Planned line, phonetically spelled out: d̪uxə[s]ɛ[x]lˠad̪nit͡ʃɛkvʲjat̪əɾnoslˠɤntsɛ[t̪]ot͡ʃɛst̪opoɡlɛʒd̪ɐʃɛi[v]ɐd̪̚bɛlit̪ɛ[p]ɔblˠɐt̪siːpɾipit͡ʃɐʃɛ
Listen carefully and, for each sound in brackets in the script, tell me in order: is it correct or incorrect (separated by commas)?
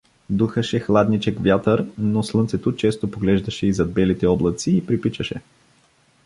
incorrect, correct, correct, incorrect, incorrect